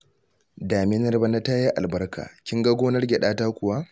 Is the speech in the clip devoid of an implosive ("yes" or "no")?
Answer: no